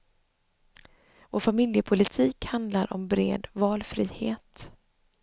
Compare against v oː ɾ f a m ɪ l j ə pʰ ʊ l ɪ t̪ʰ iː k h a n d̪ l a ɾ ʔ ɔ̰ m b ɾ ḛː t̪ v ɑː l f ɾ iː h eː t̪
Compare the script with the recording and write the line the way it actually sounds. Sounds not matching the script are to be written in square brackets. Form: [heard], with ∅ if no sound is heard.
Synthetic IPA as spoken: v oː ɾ f a m ɪ l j ə pʰ ʊ l ɪ t̪ʰ iː k h a n d̪ l a ɾ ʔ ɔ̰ m b ɾ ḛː [d̪] v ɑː l f ɾ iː h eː t̪